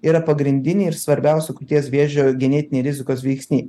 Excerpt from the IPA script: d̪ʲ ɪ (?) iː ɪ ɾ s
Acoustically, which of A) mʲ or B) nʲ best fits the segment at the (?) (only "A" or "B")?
B